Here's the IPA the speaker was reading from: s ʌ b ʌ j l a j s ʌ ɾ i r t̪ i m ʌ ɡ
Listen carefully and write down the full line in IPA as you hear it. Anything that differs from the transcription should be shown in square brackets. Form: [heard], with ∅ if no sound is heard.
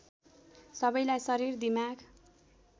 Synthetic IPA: s ʌ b ʌ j l a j s ʌ ɾ i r [d̪] i m [a] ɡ